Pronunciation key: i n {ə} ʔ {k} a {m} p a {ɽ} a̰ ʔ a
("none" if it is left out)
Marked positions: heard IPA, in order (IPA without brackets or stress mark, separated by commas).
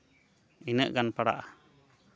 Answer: ə, ɡ, n, ɽ